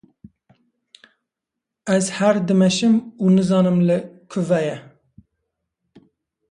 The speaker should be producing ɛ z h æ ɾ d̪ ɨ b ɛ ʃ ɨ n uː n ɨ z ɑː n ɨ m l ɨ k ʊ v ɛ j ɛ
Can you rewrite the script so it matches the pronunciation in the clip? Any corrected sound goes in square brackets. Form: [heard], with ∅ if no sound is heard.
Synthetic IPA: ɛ z h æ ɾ d̪ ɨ [m] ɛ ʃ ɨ [m] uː n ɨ z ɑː n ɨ m l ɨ [kʰ] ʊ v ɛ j ɛ